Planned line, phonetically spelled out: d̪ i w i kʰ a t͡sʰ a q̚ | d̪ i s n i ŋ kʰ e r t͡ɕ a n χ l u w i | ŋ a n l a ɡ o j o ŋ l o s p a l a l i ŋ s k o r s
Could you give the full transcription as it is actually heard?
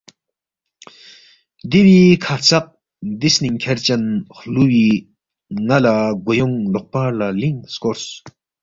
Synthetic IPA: d̪ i w i kʰ a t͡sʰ a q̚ | d̪ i s n i ŋ kʰ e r t͡ɕ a n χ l u w i | ŋ a l a ɡ o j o ŋ l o χ p a l a l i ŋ s k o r s